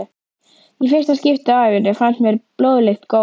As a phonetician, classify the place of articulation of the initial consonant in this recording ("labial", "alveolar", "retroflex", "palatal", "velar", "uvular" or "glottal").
labial